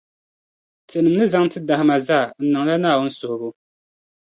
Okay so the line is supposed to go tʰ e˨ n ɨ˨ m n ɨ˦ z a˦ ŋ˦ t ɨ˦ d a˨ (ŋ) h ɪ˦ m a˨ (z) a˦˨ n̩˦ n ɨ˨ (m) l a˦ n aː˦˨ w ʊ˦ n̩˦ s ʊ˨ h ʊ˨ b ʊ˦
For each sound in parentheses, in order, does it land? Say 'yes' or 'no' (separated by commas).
no, yes, no